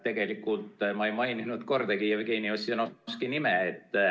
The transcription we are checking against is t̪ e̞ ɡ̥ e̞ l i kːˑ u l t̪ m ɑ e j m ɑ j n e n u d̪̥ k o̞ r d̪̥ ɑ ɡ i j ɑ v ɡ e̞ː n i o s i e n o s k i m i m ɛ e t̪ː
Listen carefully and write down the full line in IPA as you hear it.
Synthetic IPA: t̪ e̞ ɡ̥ e̞ l i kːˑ u l t̪ m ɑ e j m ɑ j n i n u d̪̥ k o̞ r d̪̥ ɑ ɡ i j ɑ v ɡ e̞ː n i o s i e n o s k i n i m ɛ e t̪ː